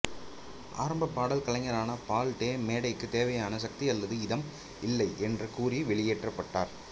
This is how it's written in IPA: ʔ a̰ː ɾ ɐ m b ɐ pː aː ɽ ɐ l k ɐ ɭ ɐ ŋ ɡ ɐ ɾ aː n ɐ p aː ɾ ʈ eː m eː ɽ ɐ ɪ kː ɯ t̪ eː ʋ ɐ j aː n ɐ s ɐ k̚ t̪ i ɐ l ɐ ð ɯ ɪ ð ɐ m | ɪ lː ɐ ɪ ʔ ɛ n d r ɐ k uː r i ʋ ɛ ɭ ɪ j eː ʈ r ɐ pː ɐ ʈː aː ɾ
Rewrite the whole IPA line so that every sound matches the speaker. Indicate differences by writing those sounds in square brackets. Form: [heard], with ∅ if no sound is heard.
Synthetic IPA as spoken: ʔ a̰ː ɾ ɐ m b ɐ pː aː ɽ ɐ l k ɐ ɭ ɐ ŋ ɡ ɐ ɾ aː n ɐ p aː [l] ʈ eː m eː ɽ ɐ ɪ kː ɯ t̪ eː ʋ ɐ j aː n ɐ s ɐ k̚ t̪ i ɐ [lː] ɐ ð ɯ ɪ ð ɐ m | ɪ lː ɐ ɪ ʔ ɛ n d r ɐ k uː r i ʋ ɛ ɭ ɪ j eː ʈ r ɐ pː ɐ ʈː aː ɾ

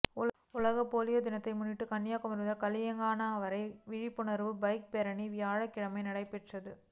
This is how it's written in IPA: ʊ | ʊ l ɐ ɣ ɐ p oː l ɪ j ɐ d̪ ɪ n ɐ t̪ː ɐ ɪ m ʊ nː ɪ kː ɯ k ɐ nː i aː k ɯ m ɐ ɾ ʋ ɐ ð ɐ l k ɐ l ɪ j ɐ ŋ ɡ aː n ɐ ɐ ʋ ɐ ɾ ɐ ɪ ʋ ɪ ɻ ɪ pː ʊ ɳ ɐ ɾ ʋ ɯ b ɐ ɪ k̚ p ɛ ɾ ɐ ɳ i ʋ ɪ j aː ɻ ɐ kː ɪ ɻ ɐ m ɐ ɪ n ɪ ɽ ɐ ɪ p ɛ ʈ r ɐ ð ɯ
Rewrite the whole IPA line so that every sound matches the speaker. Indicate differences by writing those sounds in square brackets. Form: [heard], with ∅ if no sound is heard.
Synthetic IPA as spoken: ʊ | ʊ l ɐ ɣ ɐ p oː l ɪ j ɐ d̪ ɪ n ɐ t̪ː ɐ ɪ m ʊ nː ɪ [ʈː] ɯ k ɐ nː [j] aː k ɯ m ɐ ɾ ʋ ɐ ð ɐ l k ɐ l ɪ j ɐ ŋ ɡ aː n ɐ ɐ ʋ ɐ ɾ ɐ ɪ ʋ ɪ ɻ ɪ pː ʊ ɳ ɐ ɾ ʋ ɯ b ɐ ɪ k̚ p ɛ ɾ ɐ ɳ i ʋ ɪ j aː ɻ ɐ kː ɪ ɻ ɐ m ɐ ɪ n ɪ ɽ ɐ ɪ p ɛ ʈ r ɐ ð ɯ

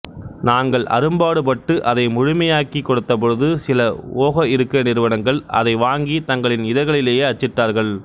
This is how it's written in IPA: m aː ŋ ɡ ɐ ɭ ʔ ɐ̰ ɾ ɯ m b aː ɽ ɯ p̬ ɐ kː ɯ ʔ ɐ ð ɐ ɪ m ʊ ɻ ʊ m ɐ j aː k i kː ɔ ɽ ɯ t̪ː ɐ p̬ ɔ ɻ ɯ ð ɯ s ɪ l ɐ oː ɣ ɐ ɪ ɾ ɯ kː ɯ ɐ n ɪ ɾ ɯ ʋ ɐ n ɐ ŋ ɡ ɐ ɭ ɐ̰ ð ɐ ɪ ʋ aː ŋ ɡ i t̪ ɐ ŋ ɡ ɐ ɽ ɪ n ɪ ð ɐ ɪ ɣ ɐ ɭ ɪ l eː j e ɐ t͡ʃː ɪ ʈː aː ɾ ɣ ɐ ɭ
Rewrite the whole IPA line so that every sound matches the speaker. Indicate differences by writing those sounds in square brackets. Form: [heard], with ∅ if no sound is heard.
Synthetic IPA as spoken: [n] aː ŋ ɡ ɐ ɭ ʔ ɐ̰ ɾ ɯ m b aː ɽ ɯ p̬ ɐ [ʈː] ɯ ʔ ɐ ð ɐ ɪ m ʊ ɻ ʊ m ɐ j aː k i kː ɔ ɽ ɯ t̪ː ɐ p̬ ɔ ɻ ɯ ð ɯ s ɪ l ɐ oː ɣ ɐ ɪ ɾ ɯ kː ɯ ɐ n ɪ ɾ ɯ ʋ ɐ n ɐ ŋ ɡ ɐ ɭ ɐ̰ ð ɐ ɪ ʋ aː ŋ ɡ i t̪ ɐ ŋ ɡ ɐ [ɭ] ɪ n ɪ ð ɐ ɪ ɣ ɐ ɭ ɪ l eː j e ɐ t͡ʃː ɪ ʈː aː ɾ ɣ ɐ ɭ

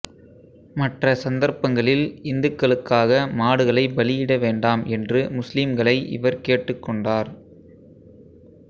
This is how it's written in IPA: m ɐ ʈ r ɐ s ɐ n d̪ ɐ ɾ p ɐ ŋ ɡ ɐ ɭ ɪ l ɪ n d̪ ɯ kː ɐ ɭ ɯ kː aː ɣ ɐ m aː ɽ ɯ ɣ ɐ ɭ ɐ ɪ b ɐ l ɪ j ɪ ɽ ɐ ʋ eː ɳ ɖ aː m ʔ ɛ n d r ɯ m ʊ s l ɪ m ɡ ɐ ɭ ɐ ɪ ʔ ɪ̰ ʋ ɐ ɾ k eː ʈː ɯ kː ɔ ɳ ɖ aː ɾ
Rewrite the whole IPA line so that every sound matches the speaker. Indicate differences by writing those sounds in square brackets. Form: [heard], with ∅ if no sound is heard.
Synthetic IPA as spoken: m ɐ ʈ r ɐ s ɐ n d̪ ɐ ɾ p ɐ ŋ ɡ ɐ ɭ ɪ l ɪ n d̪ ɯ kː ɐ ɭ ɯ kː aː ɣ ɐ m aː ɽ ɯ ɣ ɐ ɭ ɐ ɪ b ɐ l ɪ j ɪ ɽ ɐ ʋ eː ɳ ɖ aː m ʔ ɛ n d r ɯ m ʊ s l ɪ m ɡ ɐ ɭ ɐ ɪ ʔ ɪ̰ ʋ ɐ ɾ k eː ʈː ɯ kː ɔ ɳ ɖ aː ɾ

